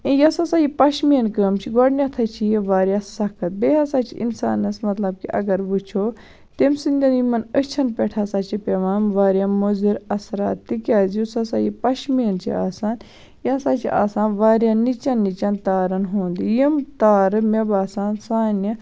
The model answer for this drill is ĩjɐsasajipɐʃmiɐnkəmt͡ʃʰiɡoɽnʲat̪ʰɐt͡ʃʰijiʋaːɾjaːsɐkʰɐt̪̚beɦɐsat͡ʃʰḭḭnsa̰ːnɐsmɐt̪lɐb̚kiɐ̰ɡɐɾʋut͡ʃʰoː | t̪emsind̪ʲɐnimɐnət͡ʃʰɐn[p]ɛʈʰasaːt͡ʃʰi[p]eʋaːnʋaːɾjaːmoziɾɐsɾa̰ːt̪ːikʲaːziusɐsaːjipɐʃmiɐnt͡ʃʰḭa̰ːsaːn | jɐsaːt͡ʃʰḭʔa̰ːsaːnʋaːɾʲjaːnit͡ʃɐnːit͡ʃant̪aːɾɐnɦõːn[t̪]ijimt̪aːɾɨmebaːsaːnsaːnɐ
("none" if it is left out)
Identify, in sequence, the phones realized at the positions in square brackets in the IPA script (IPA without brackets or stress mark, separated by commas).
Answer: p, p, d̪